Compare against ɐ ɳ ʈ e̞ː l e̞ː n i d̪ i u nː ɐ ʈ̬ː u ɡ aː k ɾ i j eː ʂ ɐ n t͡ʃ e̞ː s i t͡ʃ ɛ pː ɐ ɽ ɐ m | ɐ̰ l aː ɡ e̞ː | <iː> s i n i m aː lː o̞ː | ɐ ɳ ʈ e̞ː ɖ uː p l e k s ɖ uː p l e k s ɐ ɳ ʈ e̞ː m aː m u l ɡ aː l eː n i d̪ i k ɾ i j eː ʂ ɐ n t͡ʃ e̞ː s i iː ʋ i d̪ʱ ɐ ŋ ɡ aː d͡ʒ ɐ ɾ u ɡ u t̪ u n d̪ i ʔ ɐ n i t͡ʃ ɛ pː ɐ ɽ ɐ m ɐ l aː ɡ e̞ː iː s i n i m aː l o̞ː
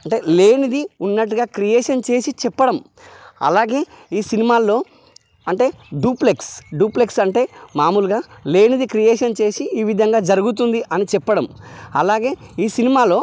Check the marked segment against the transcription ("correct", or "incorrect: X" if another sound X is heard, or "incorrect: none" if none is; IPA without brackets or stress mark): correct